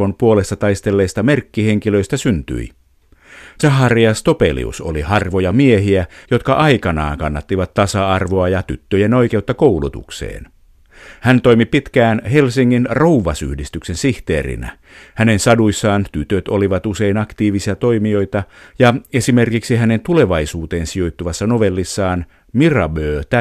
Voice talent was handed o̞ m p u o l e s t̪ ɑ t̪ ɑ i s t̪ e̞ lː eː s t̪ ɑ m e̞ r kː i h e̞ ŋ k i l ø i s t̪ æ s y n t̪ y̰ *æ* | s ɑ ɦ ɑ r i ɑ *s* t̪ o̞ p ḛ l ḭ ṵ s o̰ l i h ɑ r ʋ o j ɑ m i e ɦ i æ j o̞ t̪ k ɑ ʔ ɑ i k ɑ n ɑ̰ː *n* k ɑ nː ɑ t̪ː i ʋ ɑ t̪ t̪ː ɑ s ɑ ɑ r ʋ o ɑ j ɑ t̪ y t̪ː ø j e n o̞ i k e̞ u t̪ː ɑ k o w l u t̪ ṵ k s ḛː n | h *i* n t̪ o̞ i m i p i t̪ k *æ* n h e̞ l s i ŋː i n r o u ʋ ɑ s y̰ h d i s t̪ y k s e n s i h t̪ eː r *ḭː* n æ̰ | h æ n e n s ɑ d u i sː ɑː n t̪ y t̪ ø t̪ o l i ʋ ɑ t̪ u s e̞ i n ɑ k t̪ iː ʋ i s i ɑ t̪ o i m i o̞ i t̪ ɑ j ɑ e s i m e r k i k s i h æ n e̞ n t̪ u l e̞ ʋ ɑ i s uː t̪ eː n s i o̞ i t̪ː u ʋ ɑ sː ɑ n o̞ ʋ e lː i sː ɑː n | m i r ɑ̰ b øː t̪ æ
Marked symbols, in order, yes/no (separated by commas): no, yes, no, no, no, no